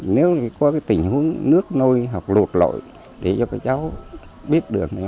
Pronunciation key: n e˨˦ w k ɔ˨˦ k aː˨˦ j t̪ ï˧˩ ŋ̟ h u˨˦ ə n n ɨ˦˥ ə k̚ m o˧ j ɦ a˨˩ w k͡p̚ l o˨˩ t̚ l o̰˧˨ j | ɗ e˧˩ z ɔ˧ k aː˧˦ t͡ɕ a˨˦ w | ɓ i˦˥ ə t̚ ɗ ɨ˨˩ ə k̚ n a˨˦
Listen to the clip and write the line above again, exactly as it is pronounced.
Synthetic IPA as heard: n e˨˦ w k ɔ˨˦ k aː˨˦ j t̪ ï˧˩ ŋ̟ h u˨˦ ə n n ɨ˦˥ ə k̚ n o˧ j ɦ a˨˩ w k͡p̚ l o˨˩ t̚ l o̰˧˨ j | ɗ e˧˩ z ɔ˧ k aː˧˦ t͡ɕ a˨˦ w | ɓ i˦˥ ə t̚ ɗ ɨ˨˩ ə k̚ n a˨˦